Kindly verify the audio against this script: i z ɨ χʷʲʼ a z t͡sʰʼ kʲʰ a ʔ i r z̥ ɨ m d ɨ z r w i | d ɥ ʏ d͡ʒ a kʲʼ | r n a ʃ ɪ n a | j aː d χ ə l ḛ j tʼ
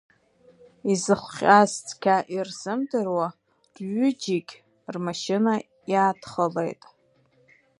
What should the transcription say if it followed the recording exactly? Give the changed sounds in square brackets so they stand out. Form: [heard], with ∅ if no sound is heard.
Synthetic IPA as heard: i z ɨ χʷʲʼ a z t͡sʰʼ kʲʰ a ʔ i r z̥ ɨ m d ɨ [∅] r w [a] | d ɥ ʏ d͡ʒ [i] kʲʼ | r [m] a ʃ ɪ n a | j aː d χ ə l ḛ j tʼ